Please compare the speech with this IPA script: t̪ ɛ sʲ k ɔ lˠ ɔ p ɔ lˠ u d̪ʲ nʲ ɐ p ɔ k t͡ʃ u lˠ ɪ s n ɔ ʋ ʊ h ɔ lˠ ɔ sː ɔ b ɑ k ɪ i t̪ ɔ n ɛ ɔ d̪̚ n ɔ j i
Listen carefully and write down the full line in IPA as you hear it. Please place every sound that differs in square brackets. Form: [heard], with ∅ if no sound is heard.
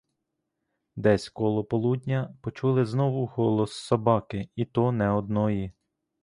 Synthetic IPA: [d̪] ɛ sʲ k ɔ lˠ ɔ p ɔ lˠ u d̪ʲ nʲ ɐ p ɔ [∅] t͡ʃ u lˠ ɪ [z] n ɔ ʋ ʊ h ɔ lˠ ɔ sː ɔ b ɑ k ɪ i t̪ ɔ n ɛ ɔ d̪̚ n ɔ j i